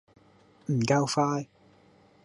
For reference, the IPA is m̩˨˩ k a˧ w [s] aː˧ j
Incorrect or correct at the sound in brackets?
incorrect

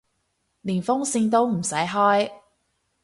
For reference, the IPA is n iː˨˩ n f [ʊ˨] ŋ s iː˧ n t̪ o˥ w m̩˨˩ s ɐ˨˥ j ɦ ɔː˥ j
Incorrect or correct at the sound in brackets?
incorrect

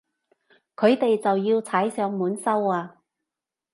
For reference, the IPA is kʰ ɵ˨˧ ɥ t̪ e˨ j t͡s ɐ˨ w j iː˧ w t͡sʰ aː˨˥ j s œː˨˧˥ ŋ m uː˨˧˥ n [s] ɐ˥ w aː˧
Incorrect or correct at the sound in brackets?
correct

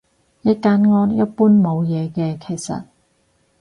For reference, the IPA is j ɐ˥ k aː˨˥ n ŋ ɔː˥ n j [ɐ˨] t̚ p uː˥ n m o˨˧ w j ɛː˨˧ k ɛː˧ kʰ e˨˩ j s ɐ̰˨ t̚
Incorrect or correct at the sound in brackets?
incorrect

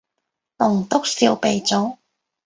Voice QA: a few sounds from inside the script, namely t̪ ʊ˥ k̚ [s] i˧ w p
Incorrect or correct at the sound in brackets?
correct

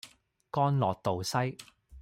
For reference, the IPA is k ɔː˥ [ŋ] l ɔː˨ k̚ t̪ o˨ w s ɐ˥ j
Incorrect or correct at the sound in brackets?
incorrect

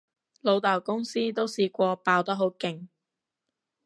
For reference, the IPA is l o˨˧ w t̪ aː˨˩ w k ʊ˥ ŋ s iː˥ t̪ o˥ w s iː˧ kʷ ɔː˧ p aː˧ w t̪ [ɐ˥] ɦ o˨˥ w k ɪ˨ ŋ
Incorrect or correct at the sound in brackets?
correct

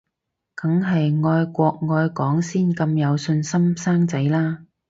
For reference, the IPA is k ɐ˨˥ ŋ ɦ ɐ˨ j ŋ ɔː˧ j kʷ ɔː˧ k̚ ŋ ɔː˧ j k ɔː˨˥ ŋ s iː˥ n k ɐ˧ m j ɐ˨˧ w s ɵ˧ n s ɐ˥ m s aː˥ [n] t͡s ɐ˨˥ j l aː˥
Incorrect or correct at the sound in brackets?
incorrect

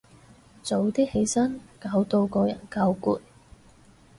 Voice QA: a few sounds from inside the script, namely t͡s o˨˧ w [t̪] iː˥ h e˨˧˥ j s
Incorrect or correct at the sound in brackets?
correct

